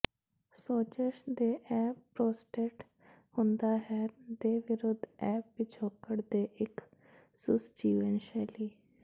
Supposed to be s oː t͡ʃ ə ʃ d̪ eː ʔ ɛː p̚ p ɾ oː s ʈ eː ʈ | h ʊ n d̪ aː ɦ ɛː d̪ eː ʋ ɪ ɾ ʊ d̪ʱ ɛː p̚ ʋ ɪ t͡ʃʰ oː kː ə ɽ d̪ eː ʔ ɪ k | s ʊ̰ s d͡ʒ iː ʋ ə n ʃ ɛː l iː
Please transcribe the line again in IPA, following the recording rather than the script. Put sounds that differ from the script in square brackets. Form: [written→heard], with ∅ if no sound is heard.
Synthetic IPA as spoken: s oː t͡ʃ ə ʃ d̪ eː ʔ ɛː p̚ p ɾ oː s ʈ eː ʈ | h ʊ n d̪ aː ɦ ɛː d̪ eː ʋ ɪ ɾ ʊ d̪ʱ ɛː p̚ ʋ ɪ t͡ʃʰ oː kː ə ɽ d̪ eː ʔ ɪ k | s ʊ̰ s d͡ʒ iː ʋ ə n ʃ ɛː l iː